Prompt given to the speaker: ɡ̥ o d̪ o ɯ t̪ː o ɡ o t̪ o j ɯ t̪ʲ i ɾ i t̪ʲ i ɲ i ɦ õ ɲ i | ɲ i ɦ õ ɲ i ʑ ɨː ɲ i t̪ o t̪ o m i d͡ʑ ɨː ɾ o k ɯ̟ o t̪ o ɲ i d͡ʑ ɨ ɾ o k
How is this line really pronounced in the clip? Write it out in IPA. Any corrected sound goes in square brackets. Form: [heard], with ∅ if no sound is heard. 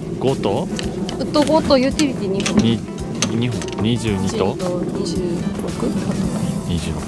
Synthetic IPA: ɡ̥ o [t̪] o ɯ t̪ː o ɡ o t̪ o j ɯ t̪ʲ i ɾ i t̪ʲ i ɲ i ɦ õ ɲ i | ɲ i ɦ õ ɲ i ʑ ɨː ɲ i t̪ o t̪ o [ɲ] i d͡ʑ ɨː ɾ o k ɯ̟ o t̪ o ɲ i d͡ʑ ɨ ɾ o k